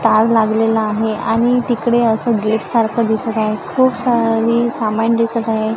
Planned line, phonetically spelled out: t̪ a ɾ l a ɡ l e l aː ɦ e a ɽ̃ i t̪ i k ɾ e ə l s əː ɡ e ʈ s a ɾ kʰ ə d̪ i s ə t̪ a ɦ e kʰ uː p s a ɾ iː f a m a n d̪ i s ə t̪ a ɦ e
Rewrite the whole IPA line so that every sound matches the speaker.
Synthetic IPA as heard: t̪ a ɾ l a ɡ l e l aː ɦ e a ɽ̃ i t̪ i k ɽ e ə s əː ɡ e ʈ s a ɾ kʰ ə d̪ i s ə t̪ a ɦ e kʰ uː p s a ɾ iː s a m a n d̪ i s ə t̪ a ɦ e